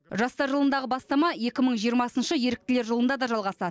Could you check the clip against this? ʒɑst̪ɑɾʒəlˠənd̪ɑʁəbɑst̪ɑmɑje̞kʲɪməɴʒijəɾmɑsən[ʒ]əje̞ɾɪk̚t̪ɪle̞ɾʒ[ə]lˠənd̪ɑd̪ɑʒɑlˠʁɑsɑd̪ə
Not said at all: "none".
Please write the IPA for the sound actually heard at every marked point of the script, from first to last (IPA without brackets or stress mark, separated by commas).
ʃ, ə